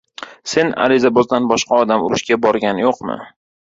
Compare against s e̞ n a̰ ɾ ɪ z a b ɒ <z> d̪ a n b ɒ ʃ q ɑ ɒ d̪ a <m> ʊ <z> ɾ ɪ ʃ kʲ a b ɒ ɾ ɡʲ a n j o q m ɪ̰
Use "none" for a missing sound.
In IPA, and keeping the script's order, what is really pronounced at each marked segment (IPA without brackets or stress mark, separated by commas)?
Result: z, m, none